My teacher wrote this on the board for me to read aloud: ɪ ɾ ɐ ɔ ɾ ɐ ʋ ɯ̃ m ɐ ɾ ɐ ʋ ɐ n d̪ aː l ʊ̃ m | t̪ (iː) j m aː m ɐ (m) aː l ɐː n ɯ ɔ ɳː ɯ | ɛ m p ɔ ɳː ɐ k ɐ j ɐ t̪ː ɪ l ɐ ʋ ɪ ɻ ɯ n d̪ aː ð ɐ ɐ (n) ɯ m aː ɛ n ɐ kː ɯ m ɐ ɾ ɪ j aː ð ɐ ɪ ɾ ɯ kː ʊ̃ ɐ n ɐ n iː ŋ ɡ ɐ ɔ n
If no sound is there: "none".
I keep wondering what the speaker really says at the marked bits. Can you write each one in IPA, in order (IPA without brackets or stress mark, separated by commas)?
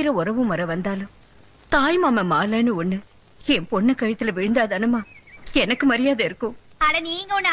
aː, m, n